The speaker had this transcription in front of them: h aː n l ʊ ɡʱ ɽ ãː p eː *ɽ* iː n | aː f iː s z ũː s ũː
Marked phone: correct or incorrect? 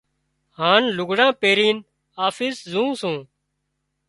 incorrect